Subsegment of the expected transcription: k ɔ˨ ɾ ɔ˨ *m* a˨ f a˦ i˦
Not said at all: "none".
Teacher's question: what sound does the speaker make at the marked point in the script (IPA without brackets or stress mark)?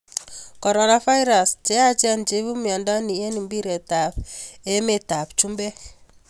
n